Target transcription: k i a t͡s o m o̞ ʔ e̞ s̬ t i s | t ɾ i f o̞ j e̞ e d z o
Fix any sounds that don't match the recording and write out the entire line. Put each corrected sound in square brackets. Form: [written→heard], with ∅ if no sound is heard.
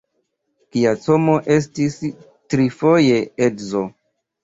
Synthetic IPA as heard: k i a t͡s o m o̞ ʔ e̞ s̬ t i s | t ɾ i f o̞ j e̞ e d z o